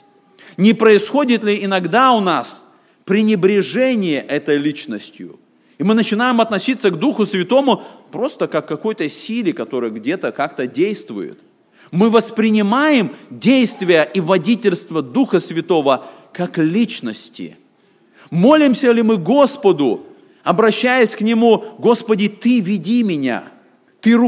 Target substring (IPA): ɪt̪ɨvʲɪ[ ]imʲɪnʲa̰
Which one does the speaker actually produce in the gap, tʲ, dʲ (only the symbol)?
dʲ